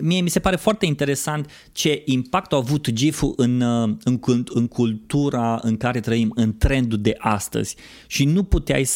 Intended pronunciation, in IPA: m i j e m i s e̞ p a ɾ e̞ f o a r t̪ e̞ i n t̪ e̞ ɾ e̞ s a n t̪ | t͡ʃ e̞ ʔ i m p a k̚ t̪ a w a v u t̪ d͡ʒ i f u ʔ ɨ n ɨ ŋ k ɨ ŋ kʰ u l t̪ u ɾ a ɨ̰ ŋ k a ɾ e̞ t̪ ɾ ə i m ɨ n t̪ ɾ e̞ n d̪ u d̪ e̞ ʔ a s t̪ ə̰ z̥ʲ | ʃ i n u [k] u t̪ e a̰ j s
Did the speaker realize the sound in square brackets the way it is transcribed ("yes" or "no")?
no